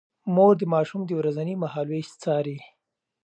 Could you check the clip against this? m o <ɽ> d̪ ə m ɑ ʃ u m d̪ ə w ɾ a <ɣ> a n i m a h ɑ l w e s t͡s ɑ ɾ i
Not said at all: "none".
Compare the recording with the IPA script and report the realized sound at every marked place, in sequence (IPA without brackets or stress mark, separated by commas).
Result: ɾ, z